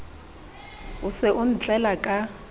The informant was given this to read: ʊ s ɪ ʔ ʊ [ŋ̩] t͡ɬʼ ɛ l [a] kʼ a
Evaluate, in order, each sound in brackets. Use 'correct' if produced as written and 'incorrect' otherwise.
incorrect, correct

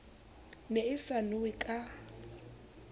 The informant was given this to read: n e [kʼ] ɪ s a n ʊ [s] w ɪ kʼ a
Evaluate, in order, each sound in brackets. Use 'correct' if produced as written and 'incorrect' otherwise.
incorrect, incorrect

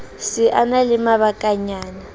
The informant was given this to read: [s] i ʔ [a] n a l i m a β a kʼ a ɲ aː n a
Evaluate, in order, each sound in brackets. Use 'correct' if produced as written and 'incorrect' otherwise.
correct, correct

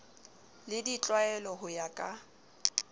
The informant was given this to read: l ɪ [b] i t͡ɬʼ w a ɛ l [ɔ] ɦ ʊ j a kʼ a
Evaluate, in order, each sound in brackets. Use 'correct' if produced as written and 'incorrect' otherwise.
incorrect, correct

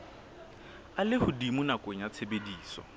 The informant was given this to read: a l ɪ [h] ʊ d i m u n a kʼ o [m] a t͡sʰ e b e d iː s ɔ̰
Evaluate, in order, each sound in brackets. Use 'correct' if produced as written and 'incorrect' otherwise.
correct, incorrect

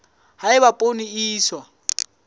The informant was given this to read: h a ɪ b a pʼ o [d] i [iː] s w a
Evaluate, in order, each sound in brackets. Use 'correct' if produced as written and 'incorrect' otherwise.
incorrect, correct

